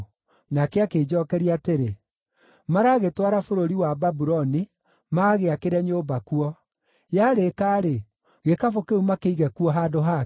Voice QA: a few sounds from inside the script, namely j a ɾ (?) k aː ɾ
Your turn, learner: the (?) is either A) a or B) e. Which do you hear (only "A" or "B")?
B